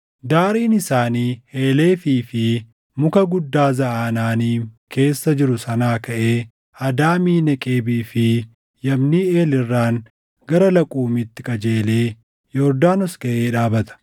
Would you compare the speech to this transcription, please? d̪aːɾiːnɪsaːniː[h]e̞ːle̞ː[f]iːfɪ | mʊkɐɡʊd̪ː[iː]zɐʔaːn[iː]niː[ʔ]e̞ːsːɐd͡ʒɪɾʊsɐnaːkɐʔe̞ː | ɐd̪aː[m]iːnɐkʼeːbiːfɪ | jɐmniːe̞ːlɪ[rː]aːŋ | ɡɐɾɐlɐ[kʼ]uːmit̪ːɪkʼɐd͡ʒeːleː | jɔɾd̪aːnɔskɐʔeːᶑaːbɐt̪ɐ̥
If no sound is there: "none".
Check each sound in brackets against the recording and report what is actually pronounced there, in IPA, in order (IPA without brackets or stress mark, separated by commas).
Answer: h, f, aː, aː, k, m, rː, kʼ